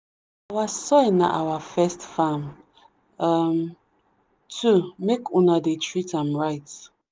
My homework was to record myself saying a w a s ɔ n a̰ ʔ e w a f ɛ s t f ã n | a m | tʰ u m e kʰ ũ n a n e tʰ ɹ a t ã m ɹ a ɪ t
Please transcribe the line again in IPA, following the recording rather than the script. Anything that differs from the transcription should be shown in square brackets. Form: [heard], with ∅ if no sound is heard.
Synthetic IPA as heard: a w a s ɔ n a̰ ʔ [a] w a f ɛ s t f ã [m] | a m | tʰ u m e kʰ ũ n a [d] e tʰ ɹ [i] t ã m ɹ a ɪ t